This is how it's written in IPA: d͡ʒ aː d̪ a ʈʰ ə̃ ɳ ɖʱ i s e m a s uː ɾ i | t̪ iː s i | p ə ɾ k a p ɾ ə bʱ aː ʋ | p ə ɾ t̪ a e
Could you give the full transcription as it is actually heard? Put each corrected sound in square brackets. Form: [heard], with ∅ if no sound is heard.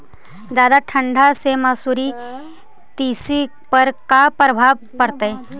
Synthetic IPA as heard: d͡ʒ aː d̪ a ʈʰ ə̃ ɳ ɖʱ [a] s e m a s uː ɾ i | t̪ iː s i | p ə ɾ k a p ɾ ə bʱ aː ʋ | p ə ɾ t̪ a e